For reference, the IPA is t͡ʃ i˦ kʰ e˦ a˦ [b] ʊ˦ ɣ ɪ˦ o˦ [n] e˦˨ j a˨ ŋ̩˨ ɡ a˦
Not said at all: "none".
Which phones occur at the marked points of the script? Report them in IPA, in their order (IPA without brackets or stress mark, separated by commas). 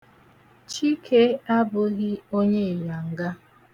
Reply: b, ɲ